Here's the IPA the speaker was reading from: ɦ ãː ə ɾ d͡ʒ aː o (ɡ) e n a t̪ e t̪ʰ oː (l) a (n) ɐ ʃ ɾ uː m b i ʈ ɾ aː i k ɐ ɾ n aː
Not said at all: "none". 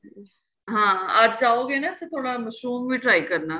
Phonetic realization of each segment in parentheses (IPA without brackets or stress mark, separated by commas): ɡ, ɽ, m